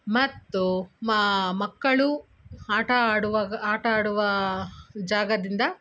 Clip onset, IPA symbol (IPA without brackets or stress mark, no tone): m